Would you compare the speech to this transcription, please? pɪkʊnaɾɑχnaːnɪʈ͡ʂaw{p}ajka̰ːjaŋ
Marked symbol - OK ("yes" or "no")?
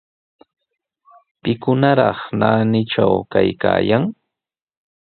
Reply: no